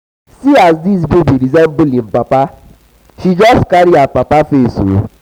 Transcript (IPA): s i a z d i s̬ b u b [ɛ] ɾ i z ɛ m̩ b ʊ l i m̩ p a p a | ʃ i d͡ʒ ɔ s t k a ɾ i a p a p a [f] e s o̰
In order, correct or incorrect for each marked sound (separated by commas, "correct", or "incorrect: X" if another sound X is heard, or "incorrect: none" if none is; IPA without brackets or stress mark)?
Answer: incorrect: i, correct